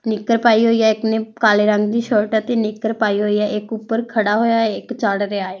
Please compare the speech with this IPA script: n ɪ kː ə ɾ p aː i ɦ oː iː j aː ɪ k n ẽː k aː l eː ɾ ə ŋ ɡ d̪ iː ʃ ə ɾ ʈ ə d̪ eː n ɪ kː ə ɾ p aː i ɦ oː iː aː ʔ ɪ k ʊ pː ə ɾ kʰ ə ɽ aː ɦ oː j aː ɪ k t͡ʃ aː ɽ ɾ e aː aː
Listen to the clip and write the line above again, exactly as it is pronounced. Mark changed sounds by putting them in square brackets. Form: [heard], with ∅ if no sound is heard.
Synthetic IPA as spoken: n ɪ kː ə ɾ p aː i ɦ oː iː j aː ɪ k n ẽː k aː l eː ɾ ə ŋ ɡ d̪ iː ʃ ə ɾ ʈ ə [t̪] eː n ɪ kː ə ɾ p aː i ɦ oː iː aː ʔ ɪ k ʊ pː ə ɾ kʰ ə ɽ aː ɦ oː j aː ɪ k t͡ʃ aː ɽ ɾ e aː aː

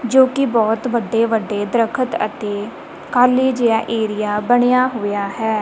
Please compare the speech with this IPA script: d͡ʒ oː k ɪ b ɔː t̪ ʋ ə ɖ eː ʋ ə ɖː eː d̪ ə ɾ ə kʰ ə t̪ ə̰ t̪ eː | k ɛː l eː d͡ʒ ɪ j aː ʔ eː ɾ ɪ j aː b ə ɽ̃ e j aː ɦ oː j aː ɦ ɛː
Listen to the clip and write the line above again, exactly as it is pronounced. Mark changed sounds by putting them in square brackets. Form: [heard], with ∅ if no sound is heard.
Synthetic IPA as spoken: d͡ʒ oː k ɪ b ɔː t̪ ʋ ə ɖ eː ʋ ə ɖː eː d̪ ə ɾ ə kʰ ə t̪ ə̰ t̪ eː | k [aː] l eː d͡ʒ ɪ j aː ʔ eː ɾ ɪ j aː b ə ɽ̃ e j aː ɦ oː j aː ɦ ɛː

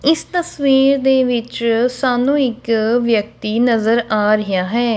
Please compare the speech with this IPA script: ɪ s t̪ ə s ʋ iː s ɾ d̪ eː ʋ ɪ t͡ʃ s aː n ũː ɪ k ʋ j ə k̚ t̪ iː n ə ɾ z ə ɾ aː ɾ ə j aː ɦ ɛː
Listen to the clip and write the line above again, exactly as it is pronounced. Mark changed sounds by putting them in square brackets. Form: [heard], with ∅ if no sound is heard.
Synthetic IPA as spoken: ɪ s t̪ ə s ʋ iː [∅] ɾ d̪ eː ʋ ɪ t͡ʃ s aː n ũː ɪ k ʋ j ə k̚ t̪ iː n ə [∅] z ə ɾ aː ɾ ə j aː ɦ ɛː

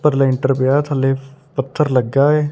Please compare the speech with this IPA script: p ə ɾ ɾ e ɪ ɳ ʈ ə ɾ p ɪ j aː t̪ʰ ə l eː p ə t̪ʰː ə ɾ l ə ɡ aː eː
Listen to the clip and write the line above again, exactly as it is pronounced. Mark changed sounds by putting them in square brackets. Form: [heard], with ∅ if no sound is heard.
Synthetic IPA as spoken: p ə ɾ [l] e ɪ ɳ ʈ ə ɾ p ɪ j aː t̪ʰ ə l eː p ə t̪ʰː ə ɾ l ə ɡ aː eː

